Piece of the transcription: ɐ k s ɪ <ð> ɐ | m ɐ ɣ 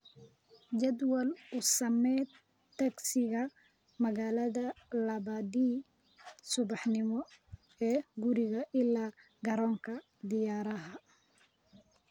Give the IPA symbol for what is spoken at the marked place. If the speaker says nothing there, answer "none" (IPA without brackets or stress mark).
ɣ